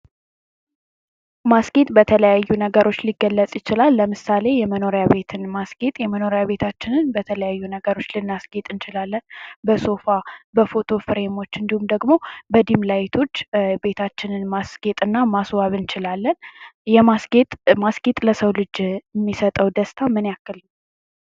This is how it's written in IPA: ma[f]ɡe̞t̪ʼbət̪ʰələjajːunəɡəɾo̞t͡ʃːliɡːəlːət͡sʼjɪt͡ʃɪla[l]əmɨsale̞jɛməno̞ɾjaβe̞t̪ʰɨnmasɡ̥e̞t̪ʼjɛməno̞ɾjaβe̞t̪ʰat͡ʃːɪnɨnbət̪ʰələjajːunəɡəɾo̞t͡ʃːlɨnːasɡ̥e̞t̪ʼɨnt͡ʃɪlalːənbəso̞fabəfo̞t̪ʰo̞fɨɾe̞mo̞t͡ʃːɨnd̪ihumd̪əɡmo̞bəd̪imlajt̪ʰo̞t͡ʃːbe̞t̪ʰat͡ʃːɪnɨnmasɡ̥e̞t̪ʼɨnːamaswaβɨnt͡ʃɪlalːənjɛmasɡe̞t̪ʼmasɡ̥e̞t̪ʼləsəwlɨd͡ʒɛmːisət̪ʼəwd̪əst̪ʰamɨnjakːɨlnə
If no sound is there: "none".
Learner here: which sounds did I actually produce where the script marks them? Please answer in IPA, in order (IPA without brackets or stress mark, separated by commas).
s, lː